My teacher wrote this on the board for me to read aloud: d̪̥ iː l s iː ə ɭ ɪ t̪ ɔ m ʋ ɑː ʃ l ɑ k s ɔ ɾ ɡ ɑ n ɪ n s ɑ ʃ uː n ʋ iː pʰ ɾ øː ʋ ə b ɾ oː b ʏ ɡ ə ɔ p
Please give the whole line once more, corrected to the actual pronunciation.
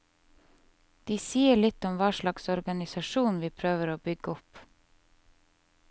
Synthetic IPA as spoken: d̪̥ iː s iː ə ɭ ɪ t̪ ɔ m ʋ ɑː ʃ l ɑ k s ɔ ɾ ɡ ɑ n ɪ s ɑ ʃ uː n ʋ iː pʰ ɾ øː ʋ ə ɾ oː b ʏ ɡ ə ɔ p